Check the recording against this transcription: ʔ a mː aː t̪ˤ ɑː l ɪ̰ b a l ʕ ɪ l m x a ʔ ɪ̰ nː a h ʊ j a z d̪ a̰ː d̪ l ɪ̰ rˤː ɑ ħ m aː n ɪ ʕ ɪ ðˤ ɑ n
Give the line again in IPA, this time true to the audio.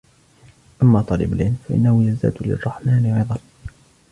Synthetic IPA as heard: ʔ a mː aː t̪ˤ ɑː l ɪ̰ b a l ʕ ɪ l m f a ʔ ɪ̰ nː a h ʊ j a z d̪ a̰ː d̪ l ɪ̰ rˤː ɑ ħ m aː n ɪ ʕ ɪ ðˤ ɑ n